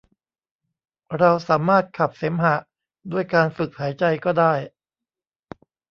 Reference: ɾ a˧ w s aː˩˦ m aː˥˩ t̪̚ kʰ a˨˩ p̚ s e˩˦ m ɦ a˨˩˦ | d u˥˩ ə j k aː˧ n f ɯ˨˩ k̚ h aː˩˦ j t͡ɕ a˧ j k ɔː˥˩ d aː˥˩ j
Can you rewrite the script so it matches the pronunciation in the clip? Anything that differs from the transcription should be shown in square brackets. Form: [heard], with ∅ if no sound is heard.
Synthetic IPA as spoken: ɾ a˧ w s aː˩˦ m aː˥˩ t̪̚ kʰ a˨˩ p̚ s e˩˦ m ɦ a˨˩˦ | d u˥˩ ə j k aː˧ n f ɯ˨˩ k̚ h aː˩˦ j t͡ɕ a˧ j k ɔː˥˩ d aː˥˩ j